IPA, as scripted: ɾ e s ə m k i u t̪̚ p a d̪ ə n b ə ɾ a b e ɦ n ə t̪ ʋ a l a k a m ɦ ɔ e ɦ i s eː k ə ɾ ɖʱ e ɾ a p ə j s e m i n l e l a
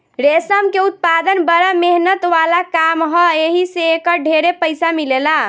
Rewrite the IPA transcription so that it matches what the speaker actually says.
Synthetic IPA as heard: ɾ e s ə m k e u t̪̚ p a d̪ ə n b ə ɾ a m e ɦ n ə t̪ ʋ a l a k a m ɦ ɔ e ɦ i s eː k ə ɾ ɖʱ e ɾ e p ə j s a m i l e l a